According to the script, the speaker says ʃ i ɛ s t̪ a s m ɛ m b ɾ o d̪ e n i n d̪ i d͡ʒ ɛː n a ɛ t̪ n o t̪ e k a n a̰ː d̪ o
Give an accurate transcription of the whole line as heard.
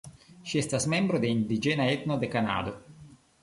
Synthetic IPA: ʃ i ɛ s t̪ a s m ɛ m b ɾ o d̪ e i n d̪ i d͡ʒ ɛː n a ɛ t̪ n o d̪ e k a n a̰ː d̪ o